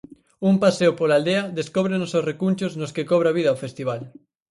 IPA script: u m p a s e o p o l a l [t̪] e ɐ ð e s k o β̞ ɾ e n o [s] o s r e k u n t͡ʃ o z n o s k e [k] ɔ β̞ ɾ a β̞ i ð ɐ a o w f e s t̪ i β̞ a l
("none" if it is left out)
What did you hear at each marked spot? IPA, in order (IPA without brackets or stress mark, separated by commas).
d̪, s, k